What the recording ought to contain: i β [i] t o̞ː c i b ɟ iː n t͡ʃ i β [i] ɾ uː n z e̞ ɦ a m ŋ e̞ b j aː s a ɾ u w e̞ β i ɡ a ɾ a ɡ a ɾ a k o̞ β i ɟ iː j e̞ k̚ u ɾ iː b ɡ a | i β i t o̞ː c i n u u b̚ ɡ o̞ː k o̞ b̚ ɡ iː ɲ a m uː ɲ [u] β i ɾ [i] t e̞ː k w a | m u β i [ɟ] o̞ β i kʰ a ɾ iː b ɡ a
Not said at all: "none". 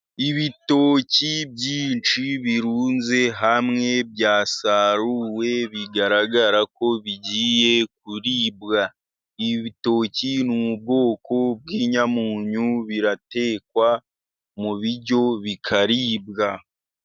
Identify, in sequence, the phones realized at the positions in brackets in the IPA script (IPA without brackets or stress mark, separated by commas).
i, i, u, a, ɟ